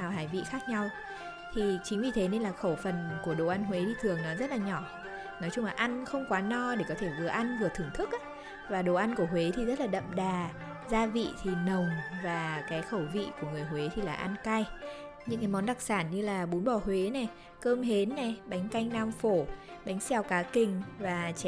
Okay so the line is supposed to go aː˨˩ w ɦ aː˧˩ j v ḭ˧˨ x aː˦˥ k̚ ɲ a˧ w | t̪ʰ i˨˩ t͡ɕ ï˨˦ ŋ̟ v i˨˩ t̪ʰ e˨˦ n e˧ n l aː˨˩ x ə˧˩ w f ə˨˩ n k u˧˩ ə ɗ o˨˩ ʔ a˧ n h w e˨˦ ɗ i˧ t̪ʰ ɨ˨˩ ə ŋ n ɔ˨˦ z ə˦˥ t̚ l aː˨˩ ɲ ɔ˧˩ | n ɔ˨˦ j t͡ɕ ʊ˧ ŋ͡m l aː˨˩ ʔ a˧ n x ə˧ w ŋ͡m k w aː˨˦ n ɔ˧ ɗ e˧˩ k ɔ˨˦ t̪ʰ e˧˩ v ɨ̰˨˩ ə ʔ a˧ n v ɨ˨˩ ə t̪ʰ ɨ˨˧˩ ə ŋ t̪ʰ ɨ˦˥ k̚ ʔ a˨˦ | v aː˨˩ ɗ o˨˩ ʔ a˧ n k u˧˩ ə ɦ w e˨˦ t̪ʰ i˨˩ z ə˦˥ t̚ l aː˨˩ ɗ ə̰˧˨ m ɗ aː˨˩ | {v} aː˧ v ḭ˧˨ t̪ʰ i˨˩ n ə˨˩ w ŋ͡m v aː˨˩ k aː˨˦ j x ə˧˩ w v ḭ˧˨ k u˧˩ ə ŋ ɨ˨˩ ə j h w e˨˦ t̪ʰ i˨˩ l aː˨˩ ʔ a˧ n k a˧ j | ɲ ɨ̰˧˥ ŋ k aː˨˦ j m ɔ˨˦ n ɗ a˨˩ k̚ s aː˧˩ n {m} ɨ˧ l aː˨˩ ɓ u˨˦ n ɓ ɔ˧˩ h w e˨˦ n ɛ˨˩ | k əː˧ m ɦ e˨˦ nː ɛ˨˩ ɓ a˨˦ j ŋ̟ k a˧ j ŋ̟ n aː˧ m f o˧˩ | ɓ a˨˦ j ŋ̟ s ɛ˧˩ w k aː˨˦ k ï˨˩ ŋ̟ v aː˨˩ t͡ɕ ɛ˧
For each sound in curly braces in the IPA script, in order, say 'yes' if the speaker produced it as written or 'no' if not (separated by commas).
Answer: no, no